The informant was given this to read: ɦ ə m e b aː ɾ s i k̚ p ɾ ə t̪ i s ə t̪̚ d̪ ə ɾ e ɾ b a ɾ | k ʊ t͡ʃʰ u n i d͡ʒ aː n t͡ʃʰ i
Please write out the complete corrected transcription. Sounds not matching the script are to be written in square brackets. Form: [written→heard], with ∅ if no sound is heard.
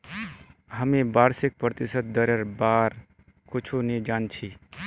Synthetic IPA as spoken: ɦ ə m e b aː ɾ s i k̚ p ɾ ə t̪ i s ə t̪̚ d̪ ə ɾ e ɾ b a ɾ | k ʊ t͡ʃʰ u n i d͡ʒ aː n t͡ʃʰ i